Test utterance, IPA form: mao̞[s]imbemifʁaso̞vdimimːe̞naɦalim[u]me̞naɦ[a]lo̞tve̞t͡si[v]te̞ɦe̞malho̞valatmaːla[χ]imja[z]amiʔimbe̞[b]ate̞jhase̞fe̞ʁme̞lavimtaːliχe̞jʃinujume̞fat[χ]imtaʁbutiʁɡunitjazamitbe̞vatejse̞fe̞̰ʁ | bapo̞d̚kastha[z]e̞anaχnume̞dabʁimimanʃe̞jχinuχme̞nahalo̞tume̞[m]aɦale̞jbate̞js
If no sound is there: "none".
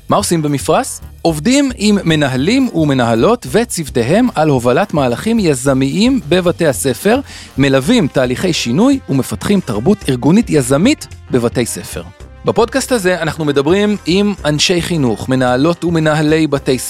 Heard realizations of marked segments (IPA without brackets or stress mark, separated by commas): s, u, a, v, χ, z, v, χ, z, n